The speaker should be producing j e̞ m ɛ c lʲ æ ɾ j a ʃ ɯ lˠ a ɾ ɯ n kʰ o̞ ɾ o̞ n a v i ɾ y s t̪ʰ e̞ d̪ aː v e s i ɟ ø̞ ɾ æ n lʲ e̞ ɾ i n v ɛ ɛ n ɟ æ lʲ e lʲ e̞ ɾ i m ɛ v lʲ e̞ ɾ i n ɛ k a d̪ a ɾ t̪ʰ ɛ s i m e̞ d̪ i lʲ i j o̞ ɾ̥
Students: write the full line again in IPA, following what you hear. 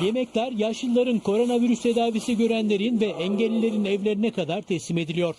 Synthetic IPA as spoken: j e̞ m ɛ c lʲ æ ɾ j a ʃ ɯ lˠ a ɾ ɯ n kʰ o̞ ɾ o̞ n a v i ɾ y s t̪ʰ e̞ d̪ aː v i s i ɟ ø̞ ɾ æ n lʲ e̞ ɾ i n v ɛ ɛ ɲ ɟ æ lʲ i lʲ e̞ ɾ i n ɛ v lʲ e̞ ɾ i n ɛ k a d̪ a ɾ t̪ʰ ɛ s i m e̞ d̪ i lʲ i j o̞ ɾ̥